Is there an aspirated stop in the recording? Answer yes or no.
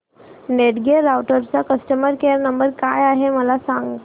no